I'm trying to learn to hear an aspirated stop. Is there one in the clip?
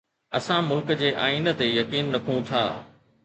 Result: yes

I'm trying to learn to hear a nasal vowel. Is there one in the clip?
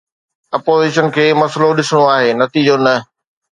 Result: no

